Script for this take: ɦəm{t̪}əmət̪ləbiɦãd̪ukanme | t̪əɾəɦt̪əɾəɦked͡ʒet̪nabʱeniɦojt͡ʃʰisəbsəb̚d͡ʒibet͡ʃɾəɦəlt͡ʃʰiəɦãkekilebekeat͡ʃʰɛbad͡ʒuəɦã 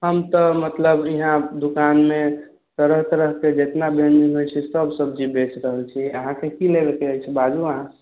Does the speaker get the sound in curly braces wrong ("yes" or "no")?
no